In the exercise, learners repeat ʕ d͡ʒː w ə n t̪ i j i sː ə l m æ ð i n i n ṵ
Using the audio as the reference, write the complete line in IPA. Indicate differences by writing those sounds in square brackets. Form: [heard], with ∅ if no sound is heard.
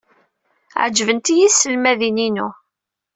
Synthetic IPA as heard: ʕ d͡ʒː [v] ə n t̪ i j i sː ə l m æ ð i n i n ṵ

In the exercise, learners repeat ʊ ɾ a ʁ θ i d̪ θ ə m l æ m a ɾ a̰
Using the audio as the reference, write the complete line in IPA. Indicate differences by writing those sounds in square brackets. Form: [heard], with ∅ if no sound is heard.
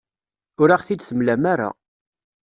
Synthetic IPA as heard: ʊ ɾ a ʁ θ i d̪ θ ə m l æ m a ɾ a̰

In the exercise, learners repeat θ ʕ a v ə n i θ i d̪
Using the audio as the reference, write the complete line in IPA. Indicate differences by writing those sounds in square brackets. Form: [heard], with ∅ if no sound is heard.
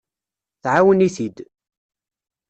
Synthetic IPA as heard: θ ʕ a [w] ə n i θ i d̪

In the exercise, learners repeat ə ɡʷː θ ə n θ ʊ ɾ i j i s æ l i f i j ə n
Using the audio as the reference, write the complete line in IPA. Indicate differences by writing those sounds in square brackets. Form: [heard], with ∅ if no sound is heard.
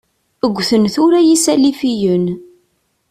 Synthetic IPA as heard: ə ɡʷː θ ə n θ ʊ ɾ [æ] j i s æ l i f i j ə n

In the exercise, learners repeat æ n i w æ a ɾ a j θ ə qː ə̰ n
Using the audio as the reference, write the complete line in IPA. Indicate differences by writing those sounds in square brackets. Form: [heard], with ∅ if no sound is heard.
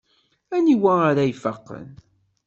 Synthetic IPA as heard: æ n i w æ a ɾ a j [f] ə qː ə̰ n

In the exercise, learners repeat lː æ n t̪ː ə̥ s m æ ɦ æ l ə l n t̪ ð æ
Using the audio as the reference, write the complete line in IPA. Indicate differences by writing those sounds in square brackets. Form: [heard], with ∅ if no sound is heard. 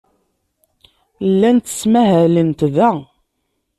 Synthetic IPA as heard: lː æ n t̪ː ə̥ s m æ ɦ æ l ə [∅] n t̪ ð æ

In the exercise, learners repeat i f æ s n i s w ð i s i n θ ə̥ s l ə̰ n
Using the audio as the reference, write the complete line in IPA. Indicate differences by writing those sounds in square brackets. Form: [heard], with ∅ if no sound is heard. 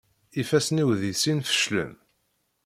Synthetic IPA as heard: i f æ s n i [∅] w ð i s i n [f] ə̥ [ʃ] l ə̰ [m]

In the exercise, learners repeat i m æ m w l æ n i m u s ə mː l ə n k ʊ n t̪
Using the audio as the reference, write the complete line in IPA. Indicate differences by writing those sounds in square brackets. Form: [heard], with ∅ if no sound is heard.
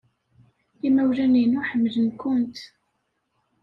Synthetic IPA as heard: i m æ [∅] w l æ n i [n] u [ħ] ə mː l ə n k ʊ n t̪

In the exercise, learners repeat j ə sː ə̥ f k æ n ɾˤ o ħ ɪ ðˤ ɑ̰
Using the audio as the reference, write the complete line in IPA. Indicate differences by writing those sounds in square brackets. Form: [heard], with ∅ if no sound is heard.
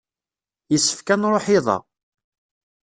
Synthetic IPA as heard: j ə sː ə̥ f k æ n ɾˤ o ħ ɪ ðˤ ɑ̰

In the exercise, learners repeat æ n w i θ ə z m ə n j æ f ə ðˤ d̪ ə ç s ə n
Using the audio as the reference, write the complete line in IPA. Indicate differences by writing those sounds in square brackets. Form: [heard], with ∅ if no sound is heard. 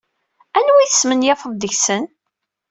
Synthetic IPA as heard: æ n w i θ ə [s] m ə n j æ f ə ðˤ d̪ ə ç s ə n

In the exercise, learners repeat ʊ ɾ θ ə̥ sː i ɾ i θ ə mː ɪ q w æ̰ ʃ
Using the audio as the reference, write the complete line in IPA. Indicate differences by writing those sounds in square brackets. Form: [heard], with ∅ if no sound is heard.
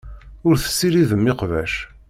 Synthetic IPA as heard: ʊ ɾ θ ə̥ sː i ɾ i [ð] ə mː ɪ q [v] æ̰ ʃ

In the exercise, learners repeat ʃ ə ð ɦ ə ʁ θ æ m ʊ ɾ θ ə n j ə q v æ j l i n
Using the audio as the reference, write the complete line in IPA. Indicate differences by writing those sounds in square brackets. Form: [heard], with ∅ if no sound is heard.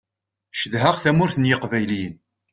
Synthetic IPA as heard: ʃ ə ð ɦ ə ʁ θ æ m ʊ ɾ θ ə n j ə q v æ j l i n

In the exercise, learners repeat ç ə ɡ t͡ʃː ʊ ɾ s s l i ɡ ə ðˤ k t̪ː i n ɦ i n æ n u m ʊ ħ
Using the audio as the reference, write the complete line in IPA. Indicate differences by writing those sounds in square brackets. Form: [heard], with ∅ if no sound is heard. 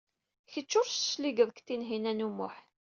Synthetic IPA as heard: ç ə [∅] t͡ʃː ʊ ɾ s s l i ɡ ə ðˤ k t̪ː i n ɦ i n æ n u m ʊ ħ

